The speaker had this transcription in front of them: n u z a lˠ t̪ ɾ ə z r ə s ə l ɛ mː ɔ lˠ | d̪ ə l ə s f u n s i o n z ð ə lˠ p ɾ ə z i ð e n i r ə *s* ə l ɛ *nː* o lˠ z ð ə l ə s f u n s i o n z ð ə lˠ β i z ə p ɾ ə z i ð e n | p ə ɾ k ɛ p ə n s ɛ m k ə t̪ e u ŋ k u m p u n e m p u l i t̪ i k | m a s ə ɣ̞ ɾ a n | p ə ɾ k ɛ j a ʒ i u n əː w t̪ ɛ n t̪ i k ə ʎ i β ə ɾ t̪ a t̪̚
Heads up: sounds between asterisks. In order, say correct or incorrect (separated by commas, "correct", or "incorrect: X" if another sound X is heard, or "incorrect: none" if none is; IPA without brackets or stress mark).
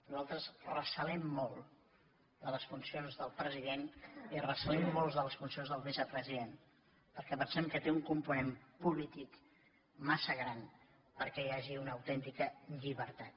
correct, incorrect: mː